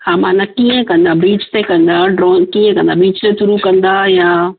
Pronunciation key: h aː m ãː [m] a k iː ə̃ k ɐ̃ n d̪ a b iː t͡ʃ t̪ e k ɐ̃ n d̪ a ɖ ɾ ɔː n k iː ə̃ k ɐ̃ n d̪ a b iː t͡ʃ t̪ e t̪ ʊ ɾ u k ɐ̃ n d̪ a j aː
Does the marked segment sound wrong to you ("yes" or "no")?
yes